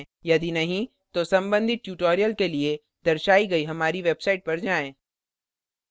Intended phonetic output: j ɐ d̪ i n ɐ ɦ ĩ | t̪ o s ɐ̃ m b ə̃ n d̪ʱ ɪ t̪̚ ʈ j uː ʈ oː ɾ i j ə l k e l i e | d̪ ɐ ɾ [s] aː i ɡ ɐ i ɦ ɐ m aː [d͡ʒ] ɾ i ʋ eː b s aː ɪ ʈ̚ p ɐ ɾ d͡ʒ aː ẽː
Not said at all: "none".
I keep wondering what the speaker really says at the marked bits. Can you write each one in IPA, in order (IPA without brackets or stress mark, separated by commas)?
ʃ, none